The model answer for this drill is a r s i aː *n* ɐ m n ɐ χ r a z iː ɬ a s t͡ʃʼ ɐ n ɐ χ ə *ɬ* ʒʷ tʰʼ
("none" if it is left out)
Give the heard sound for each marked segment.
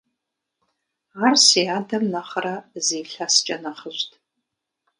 d, none

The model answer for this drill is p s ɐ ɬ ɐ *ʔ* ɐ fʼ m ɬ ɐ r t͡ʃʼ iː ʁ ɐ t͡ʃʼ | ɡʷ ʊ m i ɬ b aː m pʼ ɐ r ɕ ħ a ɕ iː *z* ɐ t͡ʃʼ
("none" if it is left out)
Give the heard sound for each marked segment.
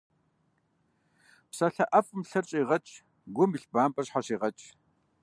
ʔ, ʁ

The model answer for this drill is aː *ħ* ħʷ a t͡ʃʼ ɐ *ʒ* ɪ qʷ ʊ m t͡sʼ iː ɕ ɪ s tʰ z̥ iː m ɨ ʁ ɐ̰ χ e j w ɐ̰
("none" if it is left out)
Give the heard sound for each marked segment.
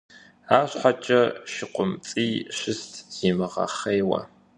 ɕ, ʃ

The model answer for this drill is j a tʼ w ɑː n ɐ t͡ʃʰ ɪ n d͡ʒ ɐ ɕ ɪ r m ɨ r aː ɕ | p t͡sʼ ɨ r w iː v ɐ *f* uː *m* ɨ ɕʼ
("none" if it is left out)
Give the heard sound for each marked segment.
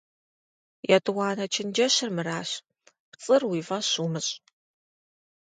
ɕ, m

